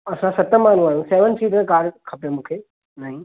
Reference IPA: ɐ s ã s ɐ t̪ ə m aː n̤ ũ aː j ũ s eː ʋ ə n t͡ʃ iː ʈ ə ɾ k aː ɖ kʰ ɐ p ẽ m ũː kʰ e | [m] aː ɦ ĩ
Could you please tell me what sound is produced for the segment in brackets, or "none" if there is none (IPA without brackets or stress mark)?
n